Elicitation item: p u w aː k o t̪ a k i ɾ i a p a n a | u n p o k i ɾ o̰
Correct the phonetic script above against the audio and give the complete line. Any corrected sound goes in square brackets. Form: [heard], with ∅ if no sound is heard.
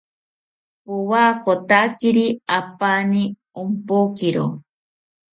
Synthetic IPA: p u w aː k o t̪ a k i ɾ i a p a n [i] | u [m] p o k i ɾ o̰